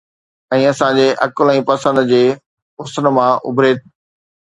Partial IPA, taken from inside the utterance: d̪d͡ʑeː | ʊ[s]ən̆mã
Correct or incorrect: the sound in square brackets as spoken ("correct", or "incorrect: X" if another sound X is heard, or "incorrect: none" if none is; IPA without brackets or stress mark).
correct